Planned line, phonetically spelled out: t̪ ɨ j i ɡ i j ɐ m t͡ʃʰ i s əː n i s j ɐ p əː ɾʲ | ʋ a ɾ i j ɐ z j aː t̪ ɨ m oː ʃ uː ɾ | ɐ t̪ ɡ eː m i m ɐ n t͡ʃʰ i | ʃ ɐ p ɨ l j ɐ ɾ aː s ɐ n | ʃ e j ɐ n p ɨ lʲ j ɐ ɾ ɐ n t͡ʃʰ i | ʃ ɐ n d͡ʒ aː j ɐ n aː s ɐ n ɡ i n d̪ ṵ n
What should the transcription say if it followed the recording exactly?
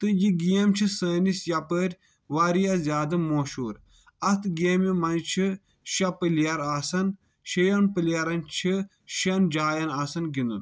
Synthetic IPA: t̪ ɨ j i ɡ i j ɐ m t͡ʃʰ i s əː n i s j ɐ p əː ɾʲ | ʋ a ɾ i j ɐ z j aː d̪ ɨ m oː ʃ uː ɾ | ɐ t̪ ɡ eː m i m ɐ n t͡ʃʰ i | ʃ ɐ p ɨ l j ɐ ɾ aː s ɐ n | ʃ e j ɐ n p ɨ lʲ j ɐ ɾ ɐ n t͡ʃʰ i | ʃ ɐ n d͡ʒ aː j ɐ n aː s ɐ n ɡ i n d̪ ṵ n

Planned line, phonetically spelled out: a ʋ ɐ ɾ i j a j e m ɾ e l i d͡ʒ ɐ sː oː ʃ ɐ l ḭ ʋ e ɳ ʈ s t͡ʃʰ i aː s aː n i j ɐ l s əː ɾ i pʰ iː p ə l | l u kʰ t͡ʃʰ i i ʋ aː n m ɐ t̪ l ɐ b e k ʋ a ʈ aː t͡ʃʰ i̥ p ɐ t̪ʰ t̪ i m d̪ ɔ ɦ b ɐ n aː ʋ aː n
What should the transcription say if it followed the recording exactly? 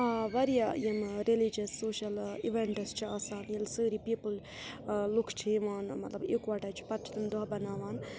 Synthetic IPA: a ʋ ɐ ɾ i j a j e m ɾ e l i d͡ʒ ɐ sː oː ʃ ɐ l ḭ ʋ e ɳ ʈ s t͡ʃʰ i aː s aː n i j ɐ l s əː ɾ i p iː p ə l | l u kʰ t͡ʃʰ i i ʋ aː n m ɐ t̪ l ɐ b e k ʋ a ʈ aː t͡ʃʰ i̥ p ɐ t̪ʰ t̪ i m d̪ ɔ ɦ b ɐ n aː ʋ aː n

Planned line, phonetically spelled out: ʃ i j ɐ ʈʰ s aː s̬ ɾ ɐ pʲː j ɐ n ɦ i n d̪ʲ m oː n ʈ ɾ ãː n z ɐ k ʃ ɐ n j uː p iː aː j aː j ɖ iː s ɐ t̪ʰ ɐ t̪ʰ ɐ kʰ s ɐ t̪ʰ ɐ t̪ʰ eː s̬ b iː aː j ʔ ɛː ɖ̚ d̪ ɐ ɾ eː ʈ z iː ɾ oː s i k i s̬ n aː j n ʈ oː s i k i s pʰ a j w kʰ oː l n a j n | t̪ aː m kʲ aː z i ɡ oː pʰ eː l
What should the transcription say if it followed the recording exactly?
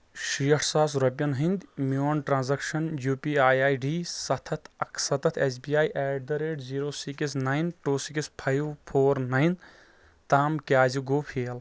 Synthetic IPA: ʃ i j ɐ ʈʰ s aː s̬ ɾ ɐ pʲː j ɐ n ɦ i n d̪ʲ m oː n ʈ ɾ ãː n z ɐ k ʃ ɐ n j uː p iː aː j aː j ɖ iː s ɐ t̪ʰ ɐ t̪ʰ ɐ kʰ s ɐ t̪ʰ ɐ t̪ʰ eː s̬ b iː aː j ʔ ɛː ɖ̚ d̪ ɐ ɾ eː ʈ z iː ɾ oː s i k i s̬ n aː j n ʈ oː s i k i s pʰ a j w pʰ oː ɾ n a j n | t̪ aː m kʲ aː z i ɡ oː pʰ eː l

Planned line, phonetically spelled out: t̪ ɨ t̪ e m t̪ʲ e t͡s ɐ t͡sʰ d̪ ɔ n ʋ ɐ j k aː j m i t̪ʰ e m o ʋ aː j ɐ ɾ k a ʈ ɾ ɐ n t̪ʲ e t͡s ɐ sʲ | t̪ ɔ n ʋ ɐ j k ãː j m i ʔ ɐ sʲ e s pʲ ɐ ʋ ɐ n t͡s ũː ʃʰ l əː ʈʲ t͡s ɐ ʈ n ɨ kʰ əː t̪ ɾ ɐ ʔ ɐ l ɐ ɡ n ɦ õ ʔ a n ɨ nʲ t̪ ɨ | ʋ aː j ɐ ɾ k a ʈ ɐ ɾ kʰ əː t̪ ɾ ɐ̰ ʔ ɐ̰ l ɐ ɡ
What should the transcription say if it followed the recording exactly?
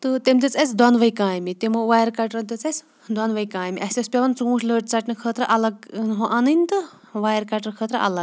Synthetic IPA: t̪ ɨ t̪ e m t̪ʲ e t͡s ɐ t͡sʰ d̪ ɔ n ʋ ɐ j k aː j m i t̪ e m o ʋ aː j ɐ ɾ k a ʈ ɾ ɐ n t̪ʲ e t͡s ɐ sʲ | d̪ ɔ n ʋ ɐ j k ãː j m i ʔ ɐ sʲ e s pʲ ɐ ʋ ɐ n t͡s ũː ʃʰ l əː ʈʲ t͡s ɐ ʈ n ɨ kʰ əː t̪ ɾ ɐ ʔ ɐ l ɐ ɡ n ɦ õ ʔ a n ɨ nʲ t̪ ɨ | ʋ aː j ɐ ɾ k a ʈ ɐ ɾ kʰ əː t̪ ɾ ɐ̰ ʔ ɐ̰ l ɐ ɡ

